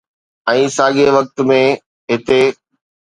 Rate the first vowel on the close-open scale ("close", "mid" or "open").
mid